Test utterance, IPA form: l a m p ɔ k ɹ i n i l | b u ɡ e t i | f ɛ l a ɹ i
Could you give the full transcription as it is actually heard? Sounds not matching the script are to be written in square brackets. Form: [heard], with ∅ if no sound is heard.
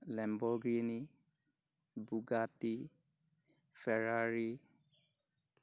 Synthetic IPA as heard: l [ɛ] m [b] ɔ [ɡ] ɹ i n i [∅] | b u ɡ [a] t i | f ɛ [ɹ] a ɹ i